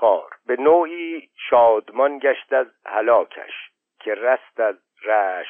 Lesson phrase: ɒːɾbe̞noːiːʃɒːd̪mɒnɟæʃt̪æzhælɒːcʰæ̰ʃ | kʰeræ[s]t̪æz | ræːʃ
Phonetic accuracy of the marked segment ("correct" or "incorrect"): correct